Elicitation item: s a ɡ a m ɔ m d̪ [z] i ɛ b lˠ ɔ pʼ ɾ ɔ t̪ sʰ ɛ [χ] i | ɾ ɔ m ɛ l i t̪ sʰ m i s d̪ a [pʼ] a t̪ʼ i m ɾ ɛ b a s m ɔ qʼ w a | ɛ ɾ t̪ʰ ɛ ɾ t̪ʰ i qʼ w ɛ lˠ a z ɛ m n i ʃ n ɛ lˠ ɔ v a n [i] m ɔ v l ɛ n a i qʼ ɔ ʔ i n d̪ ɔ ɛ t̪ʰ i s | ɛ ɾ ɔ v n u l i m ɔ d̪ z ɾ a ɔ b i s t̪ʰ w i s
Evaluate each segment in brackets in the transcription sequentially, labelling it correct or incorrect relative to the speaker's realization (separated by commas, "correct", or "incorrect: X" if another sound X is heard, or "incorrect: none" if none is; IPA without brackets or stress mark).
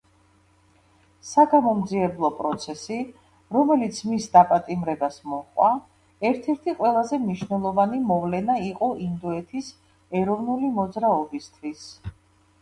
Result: correct, incorrect: s, correct, correct